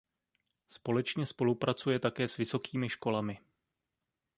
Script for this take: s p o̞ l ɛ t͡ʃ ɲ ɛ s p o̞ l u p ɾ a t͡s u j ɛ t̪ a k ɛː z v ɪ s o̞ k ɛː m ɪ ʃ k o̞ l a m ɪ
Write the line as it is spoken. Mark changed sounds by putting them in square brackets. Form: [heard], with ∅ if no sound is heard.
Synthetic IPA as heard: s p o̞ l ɛ t͡ʃ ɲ ɛ s p o̞ l u p ɾ a t͡s u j ɛ t̪ a k ɛː [s] v ɪ s o̞ k [iː] m ɪ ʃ k o̞ l a m ɪ